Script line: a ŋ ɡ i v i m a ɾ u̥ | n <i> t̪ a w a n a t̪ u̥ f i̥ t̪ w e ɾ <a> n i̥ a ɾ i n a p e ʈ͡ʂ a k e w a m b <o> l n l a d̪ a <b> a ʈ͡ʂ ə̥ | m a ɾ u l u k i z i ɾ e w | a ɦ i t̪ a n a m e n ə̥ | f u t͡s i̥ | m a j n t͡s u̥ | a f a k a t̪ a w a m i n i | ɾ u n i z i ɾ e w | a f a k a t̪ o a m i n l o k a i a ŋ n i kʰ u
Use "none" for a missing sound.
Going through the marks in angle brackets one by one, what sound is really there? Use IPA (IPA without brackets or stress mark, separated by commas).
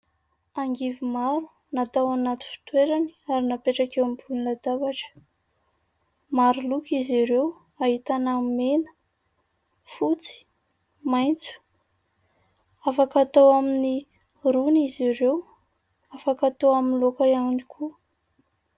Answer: a, a, u, v